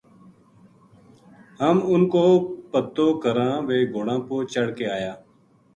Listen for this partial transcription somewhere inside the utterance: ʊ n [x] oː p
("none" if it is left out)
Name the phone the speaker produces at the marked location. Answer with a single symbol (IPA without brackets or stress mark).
k